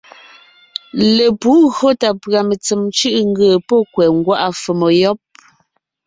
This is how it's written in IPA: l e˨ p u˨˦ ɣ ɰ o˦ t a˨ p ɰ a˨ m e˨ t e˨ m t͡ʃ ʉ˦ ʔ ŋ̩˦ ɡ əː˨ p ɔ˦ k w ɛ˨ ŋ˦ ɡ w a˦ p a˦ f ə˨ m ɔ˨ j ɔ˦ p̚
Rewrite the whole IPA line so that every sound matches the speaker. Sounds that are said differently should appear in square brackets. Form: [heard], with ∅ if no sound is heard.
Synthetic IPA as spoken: l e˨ p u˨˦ ɣ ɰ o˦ t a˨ p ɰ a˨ m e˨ [t͡s] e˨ m t͡ʃ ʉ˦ ʔ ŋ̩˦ ɡ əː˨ p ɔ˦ k w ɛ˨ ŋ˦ ɡ w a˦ [ʔ] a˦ f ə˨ m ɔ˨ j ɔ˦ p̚